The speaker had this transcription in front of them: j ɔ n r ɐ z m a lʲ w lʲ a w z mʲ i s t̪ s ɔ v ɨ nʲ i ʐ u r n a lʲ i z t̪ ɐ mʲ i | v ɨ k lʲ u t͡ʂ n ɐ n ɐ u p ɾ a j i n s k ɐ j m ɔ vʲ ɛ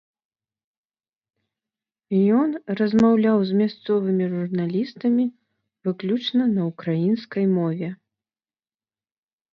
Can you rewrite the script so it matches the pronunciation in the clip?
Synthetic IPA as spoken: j ɔ n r ɐ z m a w lʲ a w z mʲ a s t̪ s ɔ v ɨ mʲ i ʐ u r n a lʲ i s t̪ ɐ mʲ i | v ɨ k lʲ u t͡ʂ n ɐ n ɐ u k ɾ a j i n s k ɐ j m ɔ vʲ ɛ